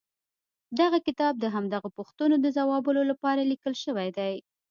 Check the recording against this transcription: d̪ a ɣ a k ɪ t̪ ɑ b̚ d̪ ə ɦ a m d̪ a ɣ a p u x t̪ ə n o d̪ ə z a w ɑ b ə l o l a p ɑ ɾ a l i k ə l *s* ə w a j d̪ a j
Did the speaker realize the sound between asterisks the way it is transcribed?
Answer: no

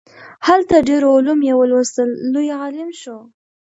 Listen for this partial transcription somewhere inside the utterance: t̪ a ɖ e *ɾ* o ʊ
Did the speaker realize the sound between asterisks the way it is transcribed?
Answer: yes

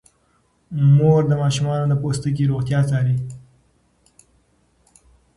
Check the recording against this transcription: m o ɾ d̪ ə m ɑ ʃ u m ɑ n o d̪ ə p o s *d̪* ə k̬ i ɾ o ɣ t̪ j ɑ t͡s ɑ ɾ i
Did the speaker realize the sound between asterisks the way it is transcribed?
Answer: no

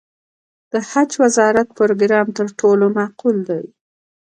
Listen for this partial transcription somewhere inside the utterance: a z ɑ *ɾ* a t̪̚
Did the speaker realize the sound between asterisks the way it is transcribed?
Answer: yes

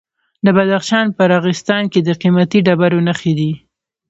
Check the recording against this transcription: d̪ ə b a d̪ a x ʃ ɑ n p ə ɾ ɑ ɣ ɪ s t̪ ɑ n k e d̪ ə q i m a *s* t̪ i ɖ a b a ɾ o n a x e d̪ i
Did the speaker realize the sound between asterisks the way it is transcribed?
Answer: no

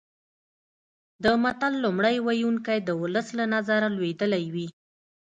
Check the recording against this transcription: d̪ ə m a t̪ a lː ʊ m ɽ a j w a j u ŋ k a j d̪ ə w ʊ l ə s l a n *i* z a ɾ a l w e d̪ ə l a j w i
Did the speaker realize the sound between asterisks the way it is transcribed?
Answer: no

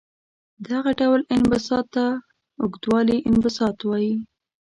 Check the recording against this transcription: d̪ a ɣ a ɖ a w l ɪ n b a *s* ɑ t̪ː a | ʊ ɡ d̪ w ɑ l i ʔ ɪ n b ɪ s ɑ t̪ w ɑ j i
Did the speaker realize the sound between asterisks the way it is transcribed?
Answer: yes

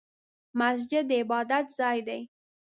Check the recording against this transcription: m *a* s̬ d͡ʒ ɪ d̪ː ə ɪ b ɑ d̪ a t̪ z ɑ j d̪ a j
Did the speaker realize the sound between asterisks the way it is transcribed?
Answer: yes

